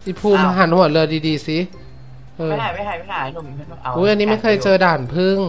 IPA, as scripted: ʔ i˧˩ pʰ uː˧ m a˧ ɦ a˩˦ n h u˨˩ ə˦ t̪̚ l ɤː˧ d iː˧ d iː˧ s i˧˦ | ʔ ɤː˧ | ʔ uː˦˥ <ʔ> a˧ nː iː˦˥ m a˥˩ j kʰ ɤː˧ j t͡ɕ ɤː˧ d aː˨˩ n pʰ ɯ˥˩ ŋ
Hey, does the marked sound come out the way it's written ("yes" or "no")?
yes